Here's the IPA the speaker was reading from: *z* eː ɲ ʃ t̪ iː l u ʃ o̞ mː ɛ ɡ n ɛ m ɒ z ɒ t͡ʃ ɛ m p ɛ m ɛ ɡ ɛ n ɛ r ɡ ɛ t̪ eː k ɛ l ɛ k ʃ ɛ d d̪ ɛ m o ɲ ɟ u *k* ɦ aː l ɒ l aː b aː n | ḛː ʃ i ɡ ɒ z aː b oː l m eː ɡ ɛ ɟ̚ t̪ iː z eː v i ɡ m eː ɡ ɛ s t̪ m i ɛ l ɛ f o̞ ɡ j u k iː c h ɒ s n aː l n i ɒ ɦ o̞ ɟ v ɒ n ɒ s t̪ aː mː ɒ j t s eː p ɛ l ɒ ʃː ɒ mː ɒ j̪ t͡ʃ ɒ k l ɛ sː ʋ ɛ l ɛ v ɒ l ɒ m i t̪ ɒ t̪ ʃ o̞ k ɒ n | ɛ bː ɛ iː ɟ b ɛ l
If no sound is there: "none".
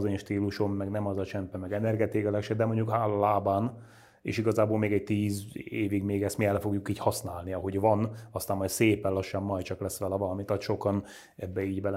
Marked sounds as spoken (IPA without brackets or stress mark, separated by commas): z, k